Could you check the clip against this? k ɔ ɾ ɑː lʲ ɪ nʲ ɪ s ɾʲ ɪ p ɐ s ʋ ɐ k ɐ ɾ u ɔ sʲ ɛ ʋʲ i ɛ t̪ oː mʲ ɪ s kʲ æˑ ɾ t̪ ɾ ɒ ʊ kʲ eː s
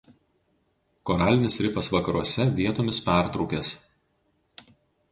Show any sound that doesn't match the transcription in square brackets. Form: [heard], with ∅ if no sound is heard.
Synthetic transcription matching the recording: k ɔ ɾ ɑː lʲ ɪ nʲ ɪ s ɾʲ ɪ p ɐ s ʋ ɐ k ɐ ɾ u ɔ sʲ ɛ ʋʲ i ɛ t̪ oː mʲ ɪ s [pʲ] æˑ ɾ t̪ ɾ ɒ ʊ kʲ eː s